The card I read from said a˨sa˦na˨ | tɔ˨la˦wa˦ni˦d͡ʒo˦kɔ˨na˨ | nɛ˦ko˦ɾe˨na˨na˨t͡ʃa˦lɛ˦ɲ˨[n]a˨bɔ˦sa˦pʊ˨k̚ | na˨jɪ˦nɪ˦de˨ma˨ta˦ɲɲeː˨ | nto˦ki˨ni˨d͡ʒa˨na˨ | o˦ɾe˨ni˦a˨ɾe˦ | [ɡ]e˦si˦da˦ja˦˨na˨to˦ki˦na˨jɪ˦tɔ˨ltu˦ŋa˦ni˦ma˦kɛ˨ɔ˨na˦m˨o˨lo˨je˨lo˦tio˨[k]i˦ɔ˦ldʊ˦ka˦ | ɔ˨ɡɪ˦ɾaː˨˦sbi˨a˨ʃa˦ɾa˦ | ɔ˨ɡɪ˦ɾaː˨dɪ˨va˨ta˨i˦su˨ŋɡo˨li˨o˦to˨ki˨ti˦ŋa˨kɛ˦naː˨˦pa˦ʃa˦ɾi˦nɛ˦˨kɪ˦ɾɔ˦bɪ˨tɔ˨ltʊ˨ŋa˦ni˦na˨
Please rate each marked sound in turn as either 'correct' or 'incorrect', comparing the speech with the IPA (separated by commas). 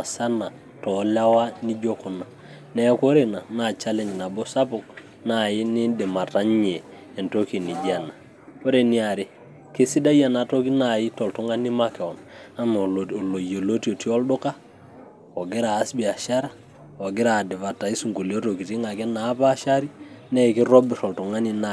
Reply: correct, incorrect, incorrect